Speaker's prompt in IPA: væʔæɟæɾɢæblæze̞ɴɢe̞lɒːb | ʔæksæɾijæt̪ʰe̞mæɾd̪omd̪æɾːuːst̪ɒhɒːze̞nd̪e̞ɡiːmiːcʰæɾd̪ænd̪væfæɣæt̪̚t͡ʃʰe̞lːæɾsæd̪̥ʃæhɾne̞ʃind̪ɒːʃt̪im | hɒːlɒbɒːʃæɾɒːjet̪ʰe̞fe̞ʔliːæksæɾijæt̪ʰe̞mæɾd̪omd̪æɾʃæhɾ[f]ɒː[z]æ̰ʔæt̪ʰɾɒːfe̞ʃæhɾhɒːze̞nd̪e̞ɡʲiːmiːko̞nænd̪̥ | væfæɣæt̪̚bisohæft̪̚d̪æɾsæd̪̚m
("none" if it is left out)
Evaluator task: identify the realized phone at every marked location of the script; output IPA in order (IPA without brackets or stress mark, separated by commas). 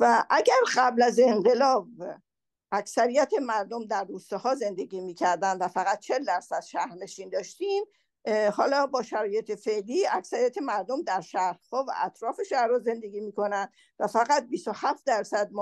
h, v